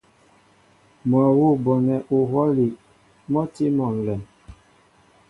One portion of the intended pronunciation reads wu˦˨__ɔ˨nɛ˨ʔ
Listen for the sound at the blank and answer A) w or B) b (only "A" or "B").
B